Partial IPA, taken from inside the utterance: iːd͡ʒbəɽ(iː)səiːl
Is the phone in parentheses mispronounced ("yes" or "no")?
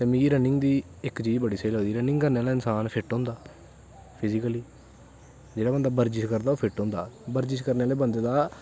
no